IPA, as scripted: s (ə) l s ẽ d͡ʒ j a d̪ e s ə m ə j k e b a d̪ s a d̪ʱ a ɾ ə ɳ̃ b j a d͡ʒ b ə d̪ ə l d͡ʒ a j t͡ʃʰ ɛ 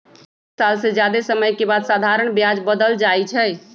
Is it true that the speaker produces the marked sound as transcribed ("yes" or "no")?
no